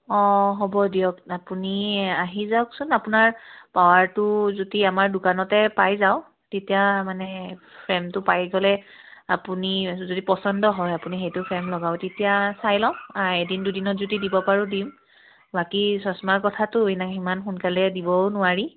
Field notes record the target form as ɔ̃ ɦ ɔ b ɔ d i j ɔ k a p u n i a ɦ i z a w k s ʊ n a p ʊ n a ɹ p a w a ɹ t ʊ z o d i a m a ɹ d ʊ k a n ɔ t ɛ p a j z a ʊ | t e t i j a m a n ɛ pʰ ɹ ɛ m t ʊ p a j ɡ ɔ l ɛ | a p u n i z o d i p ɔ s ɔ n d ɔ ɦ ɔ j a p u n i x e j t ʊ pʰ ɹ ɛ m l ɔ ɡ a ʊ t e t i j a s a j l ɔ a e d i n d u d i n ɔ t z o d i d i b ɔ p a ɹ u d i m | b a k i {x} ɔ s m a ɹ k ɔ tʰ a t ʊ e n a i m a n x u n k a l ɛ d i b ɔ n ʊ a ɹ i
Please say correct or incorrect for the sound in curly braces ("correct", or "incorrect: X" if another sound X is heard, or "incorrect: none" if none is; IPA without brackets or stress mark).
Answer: incorrect: s